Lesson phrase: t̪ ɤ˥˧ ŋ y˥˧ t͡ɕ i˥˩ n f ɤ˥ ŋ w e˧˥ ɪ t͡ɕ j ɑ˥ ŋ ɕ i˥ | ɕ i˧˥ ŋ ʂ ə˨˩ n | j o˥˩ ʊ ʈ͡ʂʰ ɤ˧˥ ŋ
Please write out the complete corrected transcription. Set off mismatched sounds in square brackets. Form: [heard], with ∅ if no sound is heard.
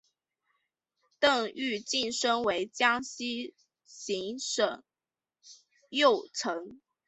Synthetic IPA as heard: t̪ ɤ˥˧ ŋ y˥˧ t͡ɕ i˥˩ n [ʂ] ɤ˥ ŋ w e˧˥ ɪ t͡ɕ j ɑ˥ ŋ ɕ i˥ | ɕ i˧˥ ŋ ʂ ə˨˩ [ŋ] | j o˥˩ ʊ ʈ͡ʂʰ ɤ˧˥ ŋ